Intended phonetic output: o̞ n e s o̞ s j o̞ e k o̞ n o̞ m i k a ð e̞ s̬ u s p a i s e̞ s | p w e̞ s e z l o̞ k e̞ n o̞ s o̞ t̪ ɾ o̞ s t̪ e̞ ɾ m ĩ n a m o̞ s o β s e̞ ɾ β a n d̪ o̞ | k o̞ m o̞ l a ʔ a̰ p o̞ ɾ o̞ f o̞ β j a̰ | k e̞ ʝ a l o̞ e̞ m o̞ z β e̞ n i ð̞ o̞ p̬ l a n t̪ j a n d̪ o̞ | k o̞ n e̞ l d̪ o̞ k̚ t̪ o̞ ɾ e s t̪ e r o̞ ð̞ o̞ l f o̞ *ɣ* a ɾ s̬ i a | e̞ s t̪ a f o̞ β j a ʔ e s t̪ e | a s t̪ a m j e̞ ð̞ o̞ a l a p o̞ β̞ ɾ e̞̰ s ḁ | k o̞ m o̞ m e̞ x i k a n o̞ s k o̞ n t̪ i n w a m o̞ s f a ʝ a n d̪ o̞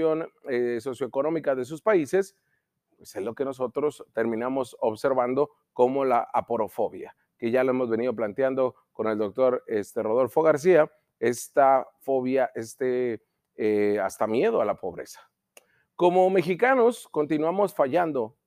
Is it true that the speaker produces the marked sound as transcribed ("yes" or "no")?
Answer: yes